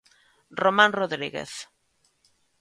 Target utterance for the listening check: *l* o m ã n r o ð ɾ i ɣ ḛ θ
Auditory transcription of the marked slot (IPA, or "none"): r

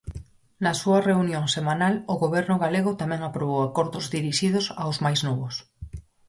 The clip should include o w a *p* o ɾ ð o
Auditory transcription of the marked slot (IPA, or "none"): k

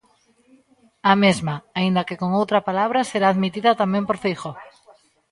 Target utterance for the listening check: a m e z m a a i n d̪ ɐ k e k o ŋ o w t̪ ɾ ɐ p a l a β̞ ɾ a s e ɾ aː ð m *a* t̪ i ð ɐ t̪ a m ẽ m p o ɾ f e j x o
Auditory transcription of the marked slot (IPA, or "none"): i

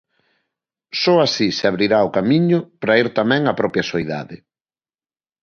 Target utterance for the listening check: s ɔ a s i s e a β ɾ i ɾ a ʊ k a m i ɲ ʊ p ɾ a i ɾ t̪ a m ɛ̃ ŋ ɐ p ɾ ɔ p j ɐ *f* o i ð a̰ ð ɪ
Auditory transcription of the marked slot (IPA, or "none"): s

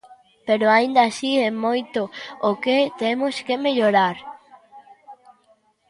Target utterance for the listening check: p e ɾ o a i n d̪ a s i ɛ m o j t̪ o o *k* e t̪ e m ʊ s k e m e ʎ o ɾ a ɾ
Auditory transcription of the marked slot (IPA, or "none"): k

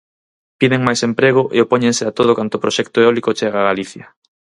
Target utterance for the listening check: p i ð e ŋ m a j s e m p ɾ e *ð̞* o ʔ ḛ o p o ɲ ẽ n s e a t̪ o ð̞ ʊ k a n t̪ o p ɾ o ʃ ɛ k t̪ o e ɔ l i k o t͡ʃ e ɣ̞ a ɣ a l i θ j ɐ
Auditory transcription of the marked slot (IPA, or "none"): ɣ̞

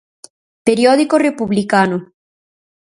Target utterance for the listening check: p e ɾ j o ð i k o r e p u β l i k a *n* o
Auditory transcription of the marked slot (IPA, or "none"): n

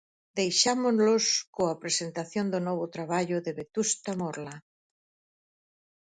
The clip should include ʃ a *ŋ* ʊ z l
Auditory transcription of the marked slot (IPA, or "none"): m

